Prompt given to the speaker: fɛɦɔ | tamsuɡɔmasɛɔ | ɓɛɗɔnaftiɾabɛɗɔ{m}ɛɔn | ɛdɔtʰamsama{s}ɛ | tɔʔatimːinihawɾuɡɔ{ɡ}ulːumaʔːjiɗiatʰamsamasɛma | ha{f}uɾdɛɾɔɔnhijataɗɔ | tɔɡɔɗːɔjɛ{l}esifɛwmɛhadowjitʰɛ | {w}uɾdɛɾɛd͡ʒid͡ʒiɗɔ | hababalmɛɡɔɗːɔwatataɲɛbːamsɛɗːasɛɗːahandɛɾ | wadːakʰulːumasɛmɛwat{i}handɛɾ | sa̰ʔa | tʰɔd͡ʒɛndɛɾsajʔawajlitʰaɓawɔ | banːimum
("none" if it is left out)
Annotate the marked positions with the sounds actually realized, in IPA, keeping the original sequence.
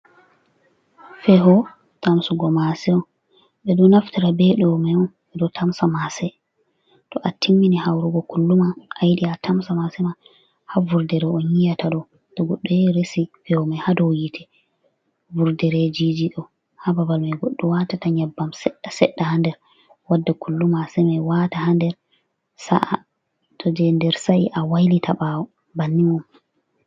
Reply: m, s, k, v, ɾ, v, a

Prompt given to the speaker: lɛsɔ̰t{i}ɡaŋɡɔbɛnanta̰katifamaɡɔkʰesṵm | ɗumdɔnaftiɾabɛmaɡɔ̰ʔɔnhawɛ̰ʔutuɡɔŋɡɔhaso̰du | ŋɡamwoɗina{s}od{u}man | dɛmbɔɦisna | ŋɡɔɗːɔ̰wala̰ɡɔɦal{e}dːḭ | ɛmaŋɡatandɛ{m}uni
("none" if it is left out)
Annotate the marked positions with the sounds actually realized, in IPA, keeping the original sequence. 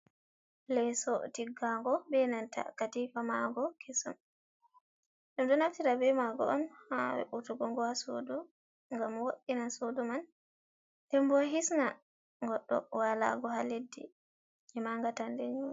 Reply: i, s, u, e, ɲ

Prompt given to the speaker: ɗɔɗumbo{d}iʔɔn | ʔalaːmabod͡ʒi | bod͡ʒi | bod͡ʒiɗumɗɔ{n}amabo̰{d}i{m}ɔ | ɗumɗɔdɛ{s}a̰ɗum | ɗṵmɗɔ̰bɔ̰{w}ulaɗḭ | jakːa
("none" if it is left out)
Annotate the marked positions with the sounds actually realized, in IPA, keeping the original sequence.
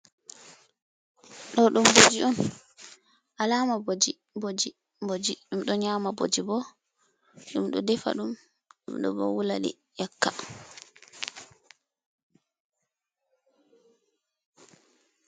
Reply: d͡ʒ, ɲ, d͡ʒ, b, f, w

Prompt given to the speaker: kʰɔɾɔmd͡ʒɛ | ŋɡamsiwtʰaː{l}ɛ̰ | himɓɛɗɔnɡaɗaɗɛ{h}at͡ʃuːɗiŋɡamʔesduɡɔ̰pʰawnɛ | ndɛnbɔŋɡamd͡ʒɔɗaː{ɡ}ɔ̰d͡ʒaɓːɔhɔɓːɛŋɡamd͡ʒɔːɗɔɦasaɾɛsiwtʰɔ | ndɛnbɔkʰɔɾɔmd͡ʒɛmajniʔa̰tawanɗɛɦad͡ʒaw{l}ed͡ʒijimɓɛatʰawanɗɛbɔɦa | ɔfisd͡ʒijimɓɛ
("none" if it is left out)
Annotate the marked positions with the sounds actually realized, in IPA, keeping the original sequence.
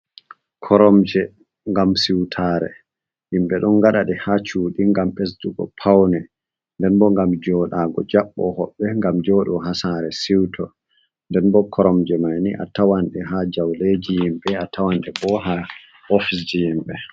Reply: ɾ, h, ɡ, l

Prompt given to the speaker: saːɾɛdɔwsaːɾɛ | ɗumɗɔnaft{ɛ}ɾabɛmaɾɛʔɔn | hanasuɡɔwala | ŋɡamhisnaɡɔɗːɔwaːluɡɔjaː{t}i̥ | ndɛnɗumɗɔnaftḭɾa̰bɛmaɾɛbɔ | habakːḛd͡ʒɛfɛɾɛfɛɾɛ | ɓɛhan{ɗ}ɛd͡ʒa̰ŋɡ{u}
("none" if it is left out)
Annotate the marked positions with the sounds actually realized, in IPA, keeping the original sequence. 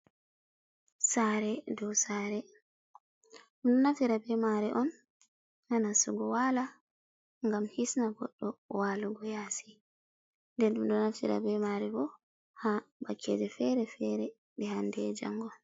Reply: i, s, d, ɔ

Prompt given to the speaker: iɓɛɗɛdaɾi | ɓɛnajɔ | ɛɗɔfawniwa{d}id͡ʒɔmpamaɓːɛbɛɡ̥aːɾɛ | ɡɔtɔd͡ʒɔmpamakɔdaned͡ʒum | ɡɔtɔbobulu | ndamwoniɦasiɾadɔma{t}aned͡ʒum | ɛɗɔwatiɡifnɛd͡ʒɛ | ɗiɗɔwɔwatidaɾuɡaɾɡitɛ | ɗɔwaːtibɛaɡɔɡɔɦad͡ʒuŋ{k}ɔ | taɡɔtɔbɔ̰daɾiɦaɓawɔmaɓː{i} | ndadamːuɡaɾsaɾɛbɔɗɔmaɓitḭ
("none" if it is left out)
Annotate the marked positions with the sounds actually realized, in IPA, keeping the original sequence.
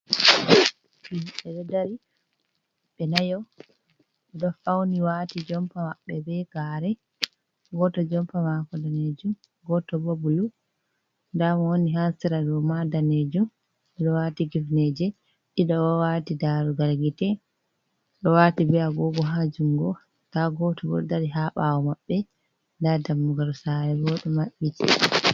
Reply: t, d, ɡ, ɛ

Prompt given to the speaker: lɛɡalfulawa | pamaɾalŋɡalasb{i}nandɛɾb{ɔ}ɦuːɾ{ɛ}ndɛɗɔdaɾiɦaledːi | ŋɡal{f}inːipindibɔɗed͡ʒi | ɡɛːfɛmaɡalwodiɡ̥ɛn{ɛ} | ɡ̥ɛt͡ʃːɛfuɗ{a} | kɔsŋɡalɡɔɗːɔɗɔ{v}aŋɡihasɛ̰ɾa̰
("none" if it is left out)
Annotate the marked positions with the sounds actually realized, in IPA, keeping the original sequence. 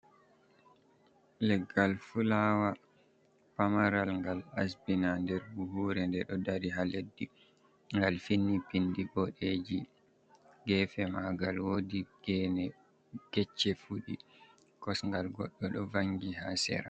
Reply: i, u, ɛ, f, ɛ, i, v

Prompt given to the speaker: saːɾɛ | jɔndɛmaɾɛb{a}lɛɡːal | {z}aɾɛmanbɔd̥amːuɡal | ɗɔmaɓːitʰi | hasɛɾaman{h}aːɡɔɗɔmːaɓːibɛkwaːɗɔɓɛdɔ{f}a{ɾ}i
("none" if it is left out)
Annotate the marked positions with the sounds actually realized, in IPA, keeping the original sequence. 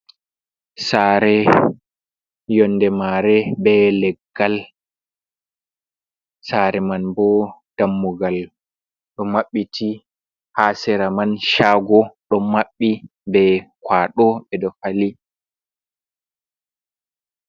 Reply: ɛ, s, ʃ, f, l

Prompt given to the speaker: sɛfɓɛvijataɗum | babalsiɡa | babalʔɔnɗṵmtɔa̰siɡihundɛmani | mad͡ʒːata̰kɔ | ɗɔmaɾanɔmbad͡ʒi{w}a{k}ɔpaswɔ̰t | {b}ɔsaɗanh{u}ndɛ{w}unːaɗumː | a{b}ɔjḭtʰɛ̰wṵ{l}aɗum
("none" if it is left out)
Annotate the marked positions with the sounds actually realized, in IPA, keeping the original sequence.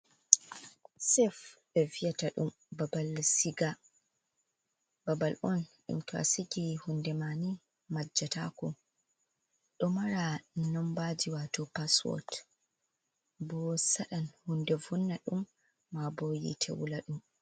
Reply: w, t, b, u, v, b, l

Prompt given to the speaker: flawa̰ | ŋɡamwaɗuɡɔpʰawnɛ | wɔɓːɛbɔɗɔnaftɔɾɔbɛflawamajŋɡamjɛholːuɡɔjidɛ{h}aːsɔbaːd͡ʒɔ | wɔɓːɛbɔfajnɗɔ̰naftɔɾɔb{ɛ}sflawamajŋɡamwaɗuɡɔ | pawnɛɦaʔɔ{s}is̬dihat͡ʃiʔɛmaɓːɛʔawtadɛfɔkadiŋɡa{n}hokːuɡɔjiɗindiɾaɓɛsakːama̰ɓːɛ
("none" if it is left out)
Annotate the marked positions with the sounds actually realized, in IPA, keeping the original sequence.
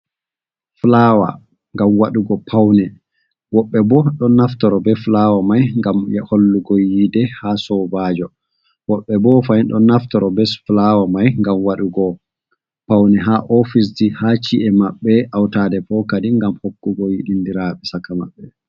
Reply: h, ɛ, f, m

